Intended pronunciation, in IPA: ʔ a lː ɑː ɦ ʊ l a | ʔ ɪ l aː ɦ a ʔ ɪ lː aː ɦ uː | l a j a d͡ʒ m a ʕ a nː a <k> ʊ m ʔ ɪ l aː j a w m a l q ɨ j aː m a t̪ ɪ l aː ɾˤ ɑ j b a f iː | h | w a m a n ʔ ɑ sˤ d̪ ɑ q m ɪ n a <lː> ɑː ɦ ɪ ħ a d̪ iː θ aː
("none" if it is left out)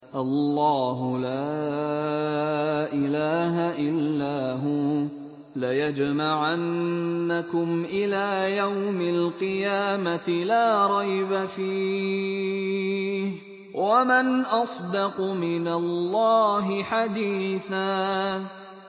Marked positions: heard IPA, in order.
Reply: k, lː

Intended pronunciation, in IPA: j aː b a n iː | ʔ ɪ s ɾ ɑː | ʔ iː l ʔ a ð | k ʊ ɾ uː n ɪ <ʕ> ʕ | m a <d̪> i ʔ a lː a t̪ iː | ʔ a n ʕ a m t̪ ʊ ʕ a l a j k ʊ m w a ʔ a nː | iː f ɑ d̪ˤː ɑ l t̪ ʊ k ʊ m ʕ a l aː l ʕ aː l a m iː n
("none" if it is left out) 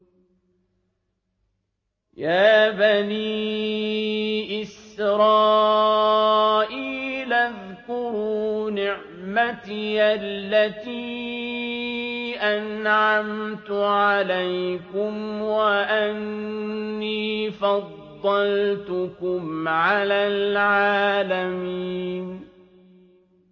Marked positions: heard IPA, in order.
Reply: ʕ, t̪

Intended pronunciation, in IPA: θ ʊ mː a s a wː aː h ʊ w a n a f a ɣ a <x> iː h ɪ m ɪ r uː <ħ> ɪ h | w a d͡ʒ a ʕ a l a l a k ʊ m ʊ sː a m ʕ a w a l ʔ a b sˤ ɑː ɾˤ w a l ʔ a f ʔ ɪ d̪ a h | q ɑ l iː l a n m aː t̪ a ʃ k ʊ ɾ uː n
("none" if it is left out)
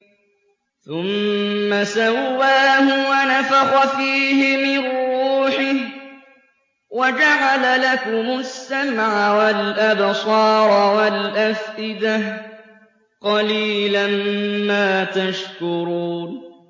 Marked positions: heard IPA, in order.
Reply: f, ħ

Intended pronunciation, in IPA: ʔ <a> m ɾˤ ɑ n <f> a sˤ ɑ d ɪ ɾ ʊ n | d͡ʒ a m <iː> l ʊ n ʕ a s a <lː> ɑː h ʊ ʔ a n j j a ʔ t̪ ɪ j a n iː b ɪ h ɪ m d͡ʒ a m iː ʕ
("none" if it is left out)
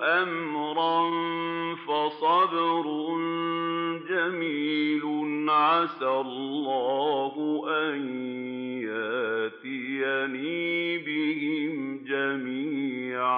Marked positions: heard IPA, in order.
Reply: a, f, iː, lː

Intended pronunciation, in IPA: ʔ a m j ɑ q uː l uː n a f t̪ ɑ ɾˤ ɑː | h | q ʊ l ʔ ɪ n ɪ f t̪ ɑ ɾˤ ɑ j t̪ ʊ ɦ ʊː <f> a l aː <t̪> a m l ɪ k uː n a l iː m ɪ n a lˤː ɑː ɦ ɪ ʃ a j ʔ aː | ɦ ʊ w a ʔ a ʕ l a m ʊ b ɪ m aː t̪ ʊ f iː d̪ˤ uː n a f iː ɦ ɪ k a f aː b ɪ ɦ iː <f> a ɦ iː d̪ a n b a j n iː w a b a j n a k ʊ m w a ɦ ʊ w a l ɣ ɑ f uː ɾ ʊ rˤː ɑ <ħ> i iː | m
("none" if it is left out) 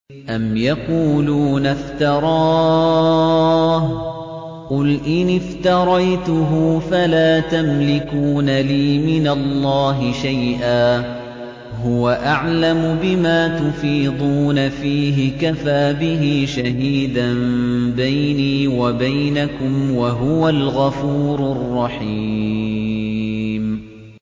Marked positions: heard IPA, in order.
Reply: f, t̪, ʃ, ħ

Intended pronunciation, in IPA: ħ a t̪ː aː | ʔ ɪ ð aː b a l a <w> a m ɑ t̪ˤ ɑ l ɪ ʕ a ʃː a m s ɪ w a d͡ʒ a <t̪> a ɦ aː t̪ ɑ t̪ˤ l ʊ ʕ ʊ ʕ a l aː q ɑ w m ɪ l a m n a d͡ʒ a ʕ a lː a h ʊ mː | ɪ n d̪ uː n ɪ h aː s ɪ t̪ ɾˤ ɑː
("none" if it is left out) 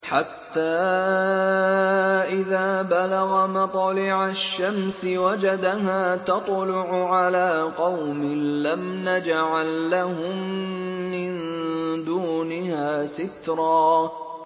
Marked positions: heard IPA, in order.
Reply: ɣ, d̪

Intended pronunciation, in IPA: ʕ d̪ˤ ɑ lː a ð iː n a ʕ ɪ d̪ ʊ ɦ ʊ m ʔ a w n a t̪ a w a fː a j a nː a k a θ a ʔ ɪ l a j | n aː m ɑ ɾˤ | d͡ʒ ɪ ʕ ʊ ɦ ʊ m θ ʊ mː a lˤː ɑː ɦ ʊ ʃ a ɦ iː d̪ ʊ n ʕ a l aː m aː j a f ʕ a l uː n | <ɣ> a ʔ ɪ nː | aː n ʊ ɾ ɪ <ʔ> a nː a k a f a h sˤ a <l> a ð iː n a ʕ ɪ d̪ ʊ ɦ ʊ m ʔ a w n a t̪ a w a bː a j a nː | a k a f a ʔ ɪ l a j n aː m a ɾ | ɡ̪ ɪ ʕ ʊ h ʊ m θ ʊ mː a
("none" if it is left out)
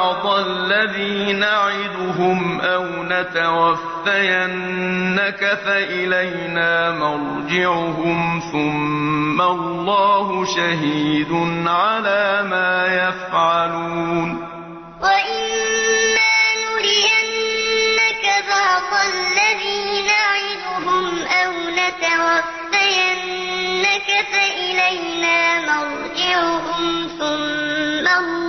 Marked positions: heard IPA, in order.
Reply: w, ʔ, lː

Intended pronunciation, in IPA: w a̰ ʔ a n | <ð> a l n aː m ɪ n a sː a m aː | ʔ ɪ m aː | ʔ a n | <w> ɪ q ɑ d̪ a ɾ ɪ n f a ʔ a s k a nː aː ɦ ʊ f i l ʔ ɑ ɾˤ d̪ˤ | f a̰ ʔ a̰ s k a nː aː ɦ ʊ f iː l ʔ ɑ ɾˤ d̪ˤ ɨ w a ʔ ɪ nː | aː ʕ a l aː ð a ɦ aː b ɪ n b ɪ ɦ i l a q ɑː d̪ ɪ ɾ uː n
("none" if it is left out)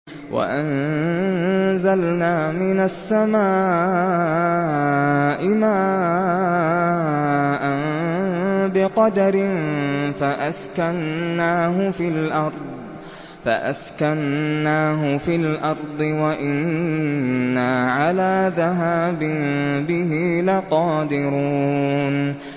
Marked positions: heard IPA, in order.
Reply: z, b

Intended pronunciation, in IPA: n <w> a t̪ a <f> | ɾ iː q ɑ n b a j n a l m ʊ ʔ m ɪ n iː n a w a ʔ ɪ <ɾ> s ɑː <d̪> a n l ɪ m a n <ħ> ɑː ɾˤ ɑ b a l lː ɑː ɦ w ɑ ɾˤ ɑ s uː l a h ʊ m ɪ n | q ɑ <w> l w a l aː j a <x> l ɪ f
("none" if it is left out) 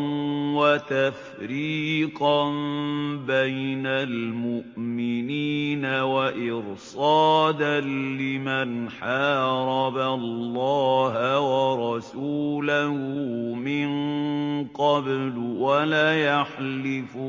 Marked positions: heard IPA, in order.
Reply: w, f, ɾ, d̪, ħ, b, ħ

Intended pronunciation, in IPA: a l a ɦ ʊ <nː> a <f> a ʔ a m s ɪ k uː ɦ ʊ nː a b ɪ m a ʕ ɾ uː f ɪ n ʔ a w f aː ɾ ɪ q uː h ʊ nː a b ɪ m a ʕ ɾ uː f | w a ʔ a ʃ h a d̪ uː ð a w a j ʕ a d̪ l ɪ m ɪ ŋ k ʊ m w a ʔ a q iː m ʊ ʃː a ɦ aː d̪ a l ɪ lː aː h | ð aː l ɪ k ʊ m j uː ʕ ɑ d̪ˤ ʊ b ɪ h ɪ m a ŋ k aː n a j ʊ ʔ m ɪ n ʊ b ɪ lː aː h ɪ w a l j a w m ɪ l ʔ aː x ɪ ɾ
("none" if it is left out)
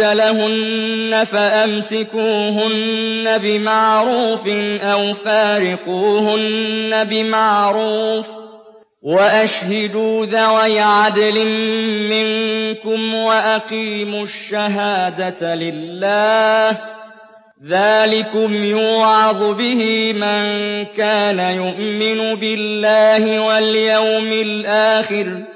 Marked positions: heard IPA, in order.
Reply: nː, f

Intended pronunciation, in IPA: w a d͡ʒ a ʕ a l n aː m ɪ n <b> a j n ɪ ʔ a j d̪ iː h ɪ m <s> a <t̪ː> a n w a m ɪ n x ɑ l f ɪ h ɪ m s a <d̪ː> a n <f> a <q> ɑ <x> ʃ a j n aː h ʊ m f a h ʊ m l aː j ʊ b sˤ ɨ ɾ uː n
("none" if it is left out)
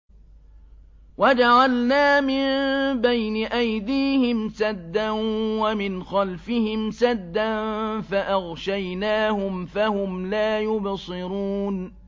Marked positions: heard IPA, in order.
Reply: b, s, d̪ː, d̪ː, f, ʔ, ɣ

